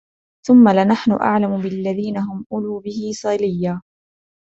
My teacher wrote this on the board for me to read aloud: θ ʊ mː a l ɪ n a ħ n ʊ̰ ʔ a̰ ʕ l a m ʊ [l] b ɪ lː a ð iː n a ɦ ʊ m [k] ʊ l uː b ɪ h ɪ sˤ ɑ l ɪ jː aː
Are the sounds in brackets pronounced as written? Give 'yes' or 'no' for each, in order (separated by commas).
no, no